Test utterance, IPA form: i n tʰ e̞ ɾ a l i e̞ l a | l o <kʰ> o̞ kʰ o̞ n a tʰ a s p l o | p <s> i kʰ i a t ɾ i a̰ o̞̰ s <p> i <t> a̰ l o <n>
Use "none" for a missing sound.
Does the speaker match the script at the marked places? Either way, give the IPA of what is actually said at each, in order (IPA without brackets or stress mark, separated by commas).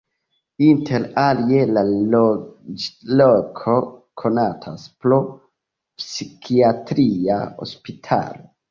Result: kʰ, s, p, tʰ, none